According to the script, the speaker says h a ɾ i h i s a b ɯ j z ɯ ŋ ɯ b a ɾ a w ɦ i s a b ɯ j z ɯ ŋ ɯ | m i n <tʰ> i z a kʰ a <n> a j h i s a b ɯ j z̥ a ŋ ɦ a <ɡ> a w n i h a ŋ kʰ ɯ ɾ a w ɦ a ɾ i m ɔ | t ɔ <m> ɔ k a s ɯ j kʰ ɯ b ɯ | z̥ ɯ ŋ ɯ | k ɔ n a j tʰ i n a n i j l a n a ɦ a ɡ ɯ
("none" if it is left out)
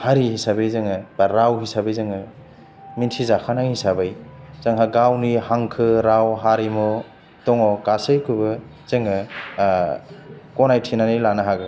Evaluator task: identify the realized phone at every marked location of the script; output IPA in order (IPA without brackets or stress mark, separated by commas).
tʰ, n, ɡ, ŋ